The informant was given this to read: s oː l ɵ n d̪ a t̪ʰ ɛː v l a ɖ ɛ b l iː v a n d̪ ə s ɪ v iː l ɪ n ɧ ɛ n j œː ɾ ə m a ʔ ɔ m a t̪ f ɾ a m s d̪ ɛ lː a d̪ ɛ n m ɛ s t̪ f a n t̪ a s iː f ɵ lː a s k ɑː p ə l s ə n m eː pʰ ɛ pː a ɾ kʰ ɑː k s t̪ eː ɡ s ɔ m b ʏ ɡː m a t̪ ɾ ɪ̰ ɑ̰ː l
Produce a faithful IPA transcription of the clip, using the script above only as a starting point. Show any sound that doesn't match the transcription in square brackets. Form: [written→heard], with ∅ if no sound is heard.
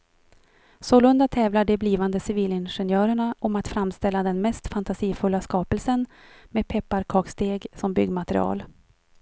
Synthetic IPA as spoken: s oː l ɵ n d̪ a t̪ʰ ɛː v l a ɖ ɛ b l iː v a n d̪ ə s ɪ v iː l ɪ n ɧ ɛ n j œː ɾ ə [m→ɳ] a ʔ ɔ m a t̪ f ɾ a m s [d̪→t̪] ɛ lː a d̪ ɛ n m ɛ s t̪ f a n t̪ a s iː f ɵ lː a s k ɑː p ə l s ə n m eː pʰ ɛ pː a ɾ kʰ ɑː k s t̪ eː ɡ s ɔ m b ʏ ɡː m a t̪ ɾ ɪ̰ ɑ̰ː l